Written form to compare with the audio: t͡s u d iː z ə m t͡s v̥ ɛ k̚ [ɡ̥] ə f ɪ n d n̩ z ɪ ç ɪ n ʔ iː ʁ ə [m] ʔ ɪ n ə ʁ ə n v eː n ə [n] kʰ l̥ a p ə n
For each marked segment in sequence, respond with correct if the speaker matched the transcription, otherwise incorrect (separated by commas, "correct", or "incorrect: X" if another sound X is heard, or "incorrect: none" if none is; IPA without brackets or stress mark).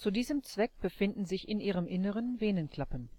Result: incorrect: b̥, correct, correct